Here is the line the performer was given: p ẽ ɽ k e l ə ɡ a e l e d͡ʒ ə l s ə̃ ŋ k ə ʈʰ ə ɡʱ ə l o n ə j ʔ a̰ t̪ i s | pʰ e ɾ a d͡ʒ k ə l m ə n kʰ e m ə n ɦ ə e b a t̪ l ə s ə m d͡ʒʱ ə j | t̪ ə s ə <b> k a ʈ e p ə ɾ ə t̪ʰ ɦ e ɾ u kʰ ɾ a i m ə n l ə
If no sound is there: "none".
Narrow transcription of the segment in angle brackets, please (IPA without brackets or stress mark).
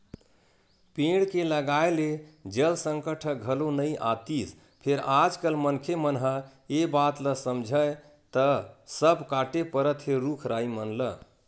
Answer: b